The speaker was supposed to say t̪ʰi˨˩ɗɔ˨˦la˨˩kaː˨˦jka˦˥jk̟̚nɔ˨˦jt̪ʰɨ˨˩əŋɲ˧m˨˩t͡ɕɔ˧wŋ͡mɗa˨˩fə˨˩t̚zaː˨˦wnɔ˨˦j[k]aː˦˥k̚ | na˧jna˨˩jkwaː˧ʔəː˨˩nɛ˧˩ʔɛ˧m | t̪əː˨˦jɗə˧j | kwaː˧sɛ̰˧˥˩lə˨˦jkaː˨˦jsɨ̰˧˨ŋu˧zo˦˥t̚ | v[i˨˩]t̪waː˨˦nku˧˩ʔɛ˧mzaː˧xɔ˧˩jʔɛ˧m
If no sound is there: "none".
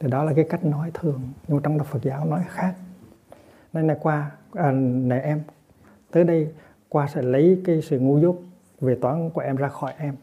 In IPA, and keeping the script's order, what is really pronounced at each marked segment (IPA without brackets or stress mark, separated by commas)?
x, e˨˩